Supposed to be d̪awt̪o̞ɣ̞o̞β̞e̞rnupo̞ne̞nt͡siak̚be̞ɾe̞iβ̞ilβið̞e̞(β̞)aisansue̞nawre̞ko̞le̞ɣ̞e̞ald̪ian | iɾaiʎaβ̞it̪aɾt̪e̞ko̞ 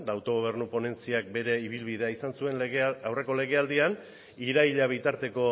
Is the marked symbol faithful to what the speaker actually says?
no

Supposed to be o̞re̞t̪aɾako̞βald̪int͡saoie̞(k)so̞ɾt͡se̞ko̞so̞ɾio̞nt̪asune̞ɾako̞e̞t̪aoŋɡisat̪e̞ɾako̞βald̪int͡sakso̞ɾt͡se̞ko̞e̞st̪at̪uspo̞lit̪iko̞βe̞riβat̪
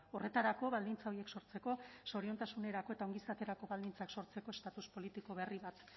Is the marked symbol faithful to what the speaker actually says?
yes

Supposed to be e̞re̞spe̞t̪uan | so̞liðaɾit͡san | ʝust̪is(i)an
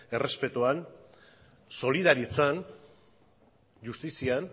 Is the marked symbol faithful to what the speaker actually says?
yes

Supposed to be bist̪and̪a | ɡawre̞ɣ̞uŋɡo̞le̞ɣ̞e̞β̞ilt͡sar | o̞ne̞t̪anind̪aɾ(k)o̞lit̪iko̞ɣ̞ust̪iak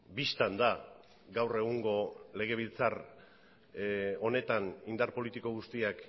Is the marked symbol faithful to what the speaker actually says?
no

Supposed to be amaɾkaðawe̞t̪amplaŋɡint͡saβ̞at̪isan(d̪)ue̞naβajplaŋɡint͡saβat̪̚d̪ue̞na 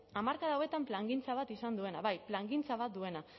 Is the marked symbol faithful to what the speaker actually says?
yes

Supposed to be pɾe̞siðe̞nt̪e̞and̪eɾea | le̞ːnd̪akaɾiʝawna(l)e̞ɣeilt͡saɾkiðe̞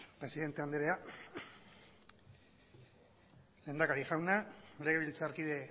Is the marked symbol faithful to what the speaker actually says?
yes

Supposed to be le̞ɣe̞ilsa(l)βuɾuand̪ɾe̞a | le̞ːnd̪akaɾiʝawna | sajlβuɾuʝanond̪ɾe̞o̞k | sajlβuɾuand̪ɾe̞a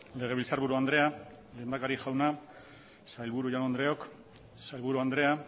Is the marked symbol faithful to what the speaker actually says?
no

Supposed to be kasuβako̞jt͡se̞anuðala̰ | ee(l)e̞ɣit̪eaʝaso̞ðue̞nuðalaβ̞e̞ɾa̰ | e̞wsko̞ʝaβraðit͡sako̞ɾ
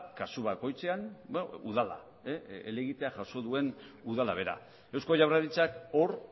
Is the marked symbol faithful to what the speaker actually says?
yes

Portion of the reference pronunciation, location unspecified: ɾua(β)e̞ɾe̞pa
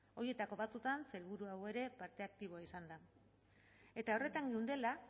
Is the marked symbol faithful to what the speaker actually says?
no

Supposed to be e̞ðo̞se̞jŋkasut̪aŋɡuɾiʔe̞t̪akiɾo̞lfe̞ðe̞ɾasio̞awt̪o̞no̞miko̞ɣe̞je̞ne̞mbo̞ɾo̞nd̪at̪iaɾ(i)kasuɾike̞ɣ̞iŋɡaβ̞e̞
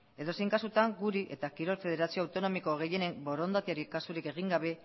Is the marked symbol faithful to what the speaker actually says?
yes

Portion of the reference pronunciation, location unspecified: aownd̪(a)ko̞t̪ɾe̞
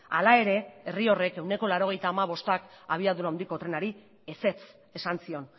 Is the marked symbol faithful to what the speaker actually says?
no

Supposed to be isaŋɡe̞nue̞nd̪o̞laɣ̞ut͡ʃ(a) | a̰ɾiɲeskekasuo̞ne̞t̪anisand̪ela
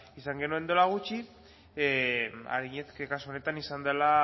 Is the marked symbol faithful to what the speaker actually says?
no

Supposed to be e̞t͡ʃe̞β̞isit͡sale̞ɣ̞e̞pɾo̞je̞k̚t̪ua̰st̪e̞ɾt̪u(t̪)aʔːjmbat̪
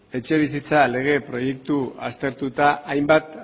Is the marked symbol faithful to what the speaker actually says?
yes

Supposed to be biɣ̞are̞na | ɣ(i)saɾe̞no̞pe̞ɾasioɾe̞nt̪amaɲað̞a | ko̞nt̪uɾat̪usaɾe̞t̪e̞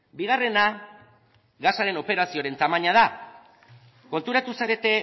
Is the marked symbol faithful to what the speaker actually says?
no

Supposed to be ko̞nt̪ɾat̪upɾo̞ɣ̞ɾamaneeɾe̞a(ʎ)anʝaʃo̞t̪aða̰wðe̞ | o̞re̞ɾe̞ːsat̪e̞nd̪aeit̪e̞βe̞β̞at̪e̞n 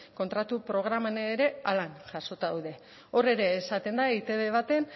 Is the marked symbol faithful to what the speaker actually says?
no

